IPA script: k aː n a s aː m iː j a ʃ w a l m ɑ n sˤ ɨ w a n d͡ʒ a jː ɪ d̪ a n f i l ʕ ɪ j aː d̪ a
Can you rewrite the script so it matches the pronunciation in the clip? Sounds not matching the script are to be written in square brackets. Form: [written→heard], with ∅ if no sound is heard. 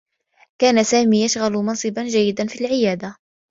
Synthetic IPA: k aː n a s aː m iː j a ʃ [w→ɣ] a l m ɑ n sˤ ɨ [w→b] a n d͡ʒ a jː ɪ d̪ a n f i l ʕ ɪ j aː d̪ a